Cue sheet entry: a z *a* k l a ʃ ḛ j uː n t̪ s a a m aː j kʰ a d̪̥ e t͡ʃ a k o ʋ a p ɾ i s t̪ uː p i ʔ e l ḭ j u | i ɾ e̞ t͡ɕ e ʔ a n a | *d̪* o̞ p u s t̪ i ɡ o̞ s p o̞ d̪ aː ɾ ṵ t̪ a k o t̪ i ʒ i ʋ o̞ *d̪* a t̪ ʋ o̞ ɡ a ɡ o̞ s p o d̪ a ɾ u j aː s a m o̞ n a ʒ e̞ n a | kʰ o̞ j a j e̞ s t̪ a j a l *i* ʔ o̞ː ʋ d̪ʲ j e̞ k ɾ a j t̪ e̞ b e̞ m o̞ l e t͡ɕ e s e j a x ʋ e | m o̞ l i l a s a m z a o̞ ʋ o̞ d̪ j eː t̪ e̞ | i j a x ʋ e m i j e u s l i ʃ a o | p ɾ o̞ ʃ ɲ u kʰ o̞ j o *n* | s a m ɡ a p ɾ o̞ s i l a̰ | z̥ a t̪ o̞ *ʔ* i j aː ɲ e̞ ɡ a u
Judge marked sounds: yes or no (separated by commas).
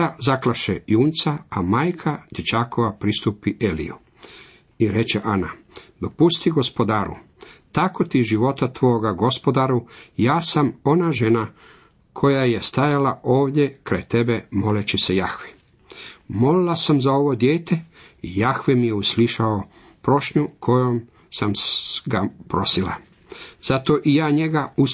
yes, yes, no, no, no, yes